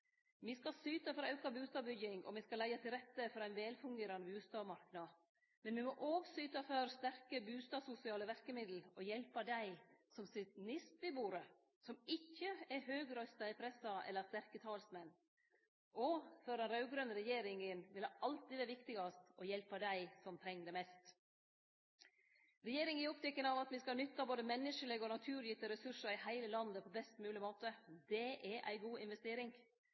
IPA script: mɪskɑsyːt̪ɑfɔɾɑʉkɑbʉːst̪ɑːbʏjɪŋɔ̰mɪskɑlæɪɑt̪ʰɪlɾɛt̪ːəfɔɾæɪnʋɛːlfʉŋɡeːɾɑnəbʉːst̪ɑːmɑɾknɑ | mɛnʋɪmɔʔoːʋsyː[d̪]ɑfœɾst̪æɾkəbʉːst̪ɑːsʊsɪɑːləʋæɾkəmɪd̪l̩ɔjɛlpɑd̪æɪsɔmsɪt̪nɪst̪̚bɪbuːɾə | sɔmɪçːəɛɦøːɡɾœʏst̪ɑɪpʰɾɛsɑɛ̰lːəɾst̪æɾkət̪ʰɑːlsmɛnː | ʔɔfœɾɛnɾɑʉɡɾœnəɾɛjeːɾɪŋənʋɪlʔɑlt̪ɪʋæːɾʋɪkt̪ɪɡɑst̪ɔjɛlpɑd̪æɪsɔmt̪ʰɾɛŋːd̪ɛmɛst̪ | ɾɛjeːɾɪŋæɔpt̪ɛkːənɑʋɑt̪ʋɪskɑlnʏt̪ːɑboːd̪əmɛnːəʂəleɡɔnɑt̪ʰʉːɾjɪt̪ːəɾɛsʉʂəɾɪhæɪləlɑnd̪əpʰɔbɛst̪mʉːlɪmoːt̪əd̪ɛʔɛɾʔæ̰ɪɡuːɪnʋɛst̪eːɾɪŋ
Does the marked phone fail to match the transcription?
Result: yes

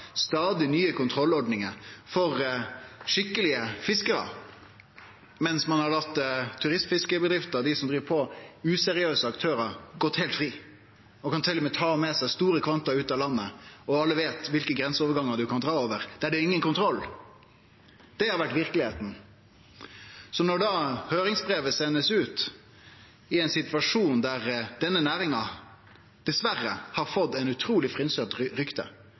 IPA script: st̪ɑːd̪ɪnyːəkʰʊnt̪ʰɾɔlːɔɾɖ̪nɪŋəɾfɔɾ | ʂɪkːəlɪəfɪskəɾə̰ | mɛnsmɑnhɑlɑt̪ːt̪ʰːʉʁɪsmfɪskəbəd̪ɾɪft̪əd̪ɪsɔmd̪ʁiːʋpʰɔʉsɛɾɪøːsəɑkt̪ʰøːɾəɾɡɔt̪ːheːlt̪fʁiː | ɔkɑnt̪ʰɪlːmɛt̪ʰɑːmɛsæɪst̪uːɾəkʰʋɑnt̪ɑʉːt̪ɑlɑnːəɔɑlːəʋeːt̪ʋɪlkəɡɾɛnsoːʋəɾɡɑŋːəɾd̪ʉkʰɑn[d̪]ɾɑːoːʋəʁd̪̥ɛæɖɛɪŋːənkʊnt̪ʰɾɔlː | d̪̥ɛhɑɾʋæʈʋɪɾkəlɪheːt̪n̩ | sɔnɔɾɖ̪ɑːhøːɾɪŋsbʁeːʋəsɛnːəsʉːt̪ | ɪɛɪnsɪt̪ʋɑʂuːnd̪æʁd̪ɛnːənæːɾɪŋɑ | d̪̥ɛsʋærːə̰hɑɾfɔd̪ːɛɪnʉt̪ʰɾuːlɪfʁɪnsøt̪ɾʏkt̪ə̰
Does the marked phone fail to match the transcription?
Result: no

